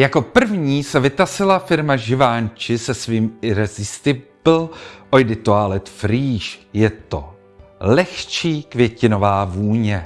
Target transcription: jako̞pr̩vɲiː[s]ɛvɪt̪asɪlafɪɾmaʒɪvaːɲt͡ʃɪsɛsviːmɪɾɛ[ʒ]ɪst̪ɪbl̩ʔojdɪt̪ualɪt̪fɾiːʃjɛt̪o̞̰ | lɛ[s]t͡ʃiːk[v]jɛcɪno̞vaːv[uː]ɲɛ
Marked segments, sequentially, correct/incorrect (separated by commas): correct, incorrect, incorrect, correct, correct